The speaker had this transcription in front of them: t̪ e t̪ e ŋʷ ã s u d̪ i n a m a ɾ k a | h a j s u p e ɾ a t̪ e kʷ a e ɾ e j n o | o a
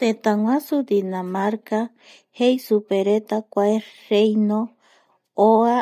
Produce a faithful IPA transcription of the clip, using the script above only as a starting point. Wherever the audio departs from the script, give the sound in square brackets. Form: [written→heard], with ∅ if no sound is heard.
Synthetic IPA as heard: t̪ e t̪ [e→a] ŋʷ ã s u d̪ i n a m a ɾ k a | h [a→e] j s u p e ɾ [a→e] t̪ [e→a] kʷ a e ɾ e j n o | o a